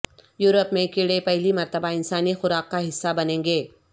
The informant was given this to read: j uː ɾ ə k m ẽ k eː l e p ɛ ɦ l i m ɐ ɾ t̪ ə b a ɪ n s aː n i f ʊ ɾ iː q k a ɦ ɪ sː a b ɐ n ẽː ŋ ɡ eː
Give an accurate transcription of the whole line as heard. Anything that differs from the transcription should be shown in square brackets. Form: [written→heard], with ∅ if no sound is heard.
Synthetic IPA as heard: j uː ɾ ə [k→p] m ẽ k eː [l→ɽ] e p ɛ ɦ l i m ɐ ɾ t̪ ə b a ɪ n s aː n i [f→x] ʊ ɾ [iː→aː] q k a ɦ ɪ sː a b ɐ n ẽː ŋ ɡ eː

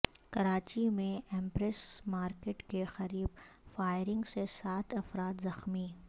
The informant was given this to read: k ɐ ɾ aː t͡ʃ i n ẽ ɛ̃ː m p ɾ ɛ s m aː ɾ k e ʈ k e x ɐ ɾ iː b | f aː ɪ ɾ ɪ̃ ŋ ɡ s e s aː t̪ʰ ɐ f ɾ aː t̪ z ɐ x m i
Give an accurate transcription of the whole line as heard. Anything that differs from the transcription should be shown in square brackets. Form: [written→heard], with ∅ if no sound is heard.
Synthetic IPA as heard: k ɐ ɾ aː t͡ʃ i [n→m] ẽ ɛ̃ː m p ɾ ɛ s m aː ɾ k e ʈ k e x ɐ ɾ iː b | f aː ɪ ɾ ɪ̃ ŋ ɡ s e s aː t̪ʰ ɐ f ɾ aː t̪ z ɐ x m i

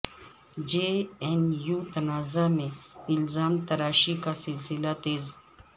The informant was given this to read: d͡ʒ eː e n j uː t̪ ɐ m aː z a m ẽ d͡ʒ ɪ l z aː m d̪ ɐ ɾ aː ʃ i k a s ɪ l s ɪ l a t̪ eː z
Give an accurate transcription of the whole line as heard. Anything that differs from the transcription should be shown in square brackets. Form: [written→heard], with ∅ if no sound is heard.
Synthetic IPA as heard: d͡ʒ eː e n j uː t̪ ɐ [m→n] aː z a m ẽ [d͡ʒ→∅] ɪ l z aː m [d̪→t̪] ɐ ɾ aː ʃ i k a s ɪ l s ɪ l a t̪ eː z

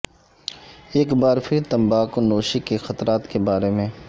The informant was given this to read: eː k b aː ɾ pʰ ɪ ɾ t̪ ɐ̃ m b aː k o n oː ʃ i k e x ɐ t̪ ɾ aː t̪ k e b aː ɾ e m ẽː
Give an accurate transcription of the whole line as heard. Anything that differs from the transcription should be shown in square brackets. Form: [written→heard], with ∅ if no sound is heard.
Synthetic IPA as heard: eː k b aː ɾ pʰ ɪ ɾ t̪ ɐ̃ m b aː k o n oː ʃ i k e x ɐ t̪ ɾ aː t̪ k e b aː ɾ e m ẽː

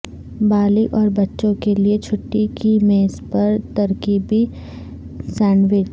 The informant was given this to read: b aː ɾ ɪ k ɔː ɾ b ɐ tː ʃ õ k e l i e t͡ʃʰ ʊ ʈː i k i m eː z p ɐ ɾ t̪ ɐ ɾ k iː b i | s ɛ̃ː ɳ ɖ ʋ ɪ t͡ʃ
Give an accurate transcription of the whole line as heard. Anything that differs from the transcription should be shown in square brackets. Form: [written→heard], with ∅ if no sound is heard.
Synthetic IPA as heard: b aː [ɾ→l] ɪ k ɔː ɾ b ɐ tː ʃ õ k e l i e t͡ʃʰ ʊ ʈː i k i m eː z p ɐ ɾ t̪ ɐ ɾ k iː b i | s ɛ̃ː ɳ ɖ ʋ ɪ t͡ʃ

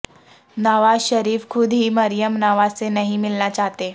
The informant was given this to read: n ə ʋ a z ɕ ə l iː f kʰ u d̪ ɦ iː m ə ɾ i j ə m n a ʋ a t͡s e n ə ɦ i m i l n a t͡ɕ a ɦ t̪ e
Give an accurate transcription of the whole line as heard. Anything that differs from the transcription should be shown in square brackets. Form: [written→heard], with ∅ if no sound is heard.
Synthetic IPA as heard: n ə ʋ a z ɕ ə [l→ɾ] iː f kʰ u d̪ ɦ iː m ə ɾ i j ə m n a ʋ a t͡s e n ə ɦ i m i l n a t͡ɕ a ɦ t̪ e

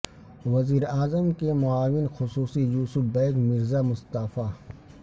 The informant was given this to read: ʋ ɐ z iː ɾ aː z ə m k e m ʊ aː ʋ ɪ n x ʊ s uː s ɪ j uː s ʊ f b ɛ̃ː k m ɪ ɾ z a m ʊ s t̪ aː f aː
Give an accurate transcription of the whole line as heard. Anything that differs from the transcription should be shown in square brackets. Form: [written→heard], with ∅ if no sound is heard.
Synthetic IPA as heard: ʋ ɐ z iː ɾ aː z ə m k e m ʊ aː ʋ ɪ n x ʊ s uː s [ɪ→i] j uː s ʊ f b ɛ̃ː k m ɪ ɾ z a m ʊ s t̪ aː f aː

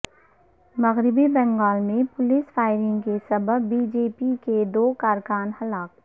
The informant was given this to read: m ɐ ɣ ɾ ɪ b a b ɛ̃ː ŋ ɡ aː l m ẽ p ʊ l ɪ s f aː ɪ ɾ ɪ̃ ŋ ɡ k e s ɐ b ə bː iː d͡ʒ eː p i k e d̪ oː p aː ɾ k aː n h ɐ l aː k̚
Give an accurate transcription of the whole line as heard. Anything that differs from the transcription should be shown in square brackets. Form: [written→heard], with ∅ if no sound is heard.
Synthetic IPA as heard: m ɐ ɣ ɾ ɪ b [a→i] b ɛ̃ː ŋ ɡ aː l m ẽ p ʊ l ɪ s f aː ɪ ɾ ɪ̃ ŋ ɡ k e s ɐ b ə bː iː d͡ʒ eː p i k e d̪ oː [p→k] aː ɾ k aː n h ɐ l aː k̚

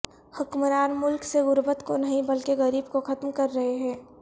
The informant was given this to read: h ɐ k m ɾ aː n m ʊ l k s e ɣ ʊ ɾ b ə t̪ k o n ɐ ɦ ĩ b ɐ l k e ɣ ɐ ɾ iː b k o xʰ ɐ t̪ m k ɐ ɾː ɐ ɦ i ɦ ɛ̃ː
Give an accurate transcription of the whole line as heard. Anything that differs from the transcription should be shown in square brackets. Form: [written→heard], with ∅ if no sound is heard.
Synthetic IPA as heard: h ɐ k m ɾ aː n m ʊ l k s e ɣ ʊ ɾ b ə t̪ k o n ɐ ɦ ĩ b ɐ l k e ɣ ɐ ɾ iː b k o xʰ ɐ t̪ m k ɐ ɾː ɐ ɦ [i→e] ɦ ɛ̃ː

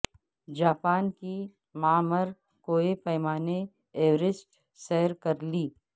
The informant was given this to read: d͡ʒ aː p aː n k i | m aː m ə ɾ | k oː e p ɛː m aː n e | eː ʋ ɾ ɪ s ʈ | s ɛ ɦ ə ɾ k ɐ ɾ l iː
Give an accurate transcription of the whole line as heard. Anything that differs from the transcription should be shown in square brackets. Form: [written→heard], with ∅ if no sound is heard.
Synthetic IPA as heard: d͡ʒ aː p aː n k i | m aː m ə ɾ | k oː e p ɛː m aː n e | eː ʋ ɾ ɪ s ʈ | s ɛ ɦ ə ɾ k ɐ ɾ l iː

